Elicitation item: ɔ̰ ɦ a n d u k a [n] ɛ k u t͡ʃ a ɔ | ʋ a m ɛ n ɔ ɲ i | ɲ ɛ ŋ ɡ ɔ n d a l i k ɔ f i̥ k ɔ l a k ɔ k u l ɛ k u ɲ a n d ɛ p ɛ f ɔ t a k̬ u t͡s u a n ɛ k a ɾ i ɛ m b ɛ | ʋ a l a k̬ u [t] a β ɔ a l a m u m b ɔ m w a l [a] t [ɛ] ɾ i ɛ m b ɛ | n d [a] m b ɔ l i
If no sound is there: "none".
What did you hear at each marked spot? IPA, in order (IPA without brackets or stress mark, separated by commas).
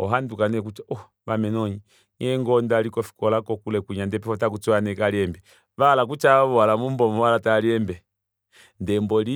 n, t͡ʃ, a, a, ɛ